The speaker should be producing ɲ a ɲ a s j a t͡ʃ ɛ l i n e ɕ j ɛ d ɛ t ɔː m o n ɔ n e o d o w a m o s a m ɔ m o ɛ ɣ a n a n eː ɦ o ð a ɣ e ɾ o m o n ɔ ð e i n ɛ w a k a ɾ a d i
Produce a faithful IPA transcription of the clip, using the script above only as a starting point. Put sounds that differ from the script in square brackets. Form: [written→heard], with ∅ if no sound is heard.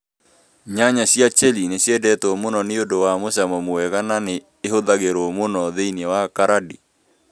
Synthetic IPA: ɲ a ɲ a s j a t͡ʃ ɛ l i n e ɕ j ɛ d ɛ t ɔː m o n ɔ n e o d o w a m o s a m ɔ m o ɛ ɣ a n a n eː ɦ o ð a ɣ e ɾ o m o n ɔ ð e i n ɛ w a k a ɾ a d i

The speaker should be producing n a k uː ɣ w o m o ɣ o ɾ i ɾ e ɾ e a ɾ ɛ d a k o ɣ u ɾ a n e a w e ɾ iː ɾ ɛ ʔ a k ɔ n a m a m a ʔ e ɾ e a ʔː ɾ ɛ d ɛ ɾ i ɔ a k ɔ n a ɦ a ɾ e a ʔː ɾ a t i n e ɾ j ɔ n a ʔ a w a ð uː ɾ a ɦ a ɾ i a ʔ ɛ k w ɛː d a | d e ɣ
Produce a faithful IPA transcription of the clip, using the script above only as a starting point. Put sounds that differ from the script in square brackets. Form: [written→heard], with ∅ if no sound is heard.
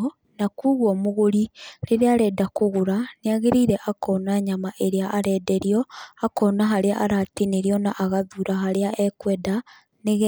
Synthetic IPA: n a k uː ɣ w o m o ɣ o ɾ i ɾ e ɾ e a ɾ ɛ d a k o ɣ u ɾ a n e a [w→ɣ] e ɾ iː ɾ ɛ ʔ a k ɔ n a [m→ɲ] a m a ʔ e ɾ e a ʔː ɾ ɛ d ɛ ɾ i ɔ a k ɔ n a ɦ a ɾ e a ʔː ɾ a t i n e ɾ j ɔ n a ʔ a [w→ɣ] a ð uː ɾ a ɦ a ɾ [i→e] a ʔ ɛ k w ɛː d a | [d→n] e ɣ

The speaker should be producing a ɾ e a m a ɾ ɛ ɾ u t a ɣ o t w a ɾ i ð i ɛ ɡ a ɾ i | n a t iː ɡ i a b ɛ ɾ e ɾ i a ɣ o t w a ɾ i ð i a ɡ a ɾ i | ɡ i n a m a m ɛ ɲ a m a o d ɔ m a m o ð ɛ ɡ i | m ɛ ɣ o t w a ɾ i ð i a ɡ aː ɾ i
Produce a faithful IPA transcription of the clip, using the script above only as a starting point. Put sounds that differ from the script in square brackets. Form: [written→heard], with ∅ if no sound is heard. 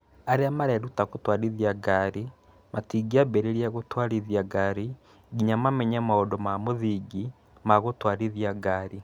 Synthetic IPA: a ɾ e a m a ɾ ɛ ɾ u t a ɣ o t w a ɾ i ð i [ɛ→a] ɡ a ɾ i | [n→m] a t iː ɡ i a b ɛ ɾ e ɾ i a ɣ o t w a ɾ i ð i a ɡ a ɾ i | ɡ i [n→ɲ] a m a m ɛ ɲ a m a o d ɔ m a m o ð [ɛ→i] ɡ i | m [ɛ→a] ɣ o t w a ɾ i ð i a ɡ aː ɾ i

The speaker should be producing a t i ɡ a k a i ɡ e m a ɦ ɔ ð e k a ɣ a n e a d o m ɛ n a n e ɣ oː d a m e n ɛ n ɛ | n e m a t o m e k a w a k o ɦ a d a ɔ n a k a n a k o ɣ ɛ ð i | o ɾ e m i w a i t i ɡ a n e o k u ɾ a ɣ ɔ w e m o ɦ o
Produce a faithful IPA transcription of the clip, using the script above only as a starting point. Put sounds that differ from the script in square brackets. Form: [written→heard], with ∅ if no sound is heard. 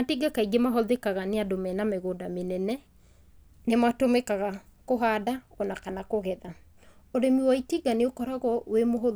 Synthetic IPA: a t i ɡ a k a i ɡ e m a ɦ ɔ ð e k a ɣ a n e a d o m ɛ n a [n→m] e ɣ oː d a m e n ɛ n ɛ | n e m a t o m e k a [w→ɣ] a k o ɦ a d a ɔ n a k a n a k o ɣ ɛ ð [i→a] | o ɾ e m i w a i t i ɡ a n e o k [u→ɔ] ɾ a ɣ ɔ w e m o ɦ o

